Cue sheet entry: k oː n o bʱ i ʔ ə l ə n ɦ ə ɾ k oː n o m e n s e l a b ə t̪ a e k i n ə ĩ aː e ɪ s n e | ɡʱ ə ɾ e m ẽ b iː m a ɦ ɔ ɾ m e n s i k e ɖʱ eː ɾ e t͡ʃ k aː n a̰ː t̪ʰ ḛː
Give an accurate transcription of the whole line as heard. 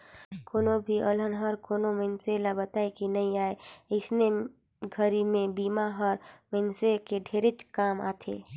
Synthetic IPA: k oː n o bʱ i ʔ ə l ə n ɦ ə ɾ k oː n o m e n s e l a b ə t̪ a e k i n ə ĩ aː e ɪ s n e | ɡʱ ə ɾ i m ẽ b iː m a ɦ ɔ ɾ m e n s e k e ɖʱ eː ɾ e t͡ʃ k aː m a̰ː t̪ʰ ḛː